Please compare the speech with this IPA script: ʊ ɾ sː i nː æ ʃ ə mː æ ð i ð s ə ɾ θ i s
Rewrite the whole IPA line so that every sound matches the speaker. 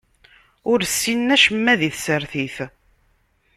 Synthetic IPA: ʊ ɾ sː i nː æ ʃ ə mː æ ð i θ s ə ɾ θ i θ